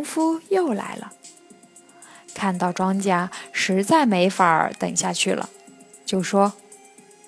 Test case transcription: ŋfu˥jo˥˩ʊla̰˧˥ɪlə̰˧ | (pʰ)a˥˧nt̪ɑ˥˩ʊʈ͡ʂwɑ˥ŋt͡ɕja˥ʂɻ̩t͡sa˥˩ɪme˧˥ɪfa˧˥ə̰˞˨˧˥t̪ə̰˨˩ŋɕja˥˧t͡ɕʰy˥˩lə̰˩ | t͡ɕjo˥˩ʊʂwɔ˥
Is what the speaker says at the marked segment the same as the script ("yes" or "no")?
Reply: no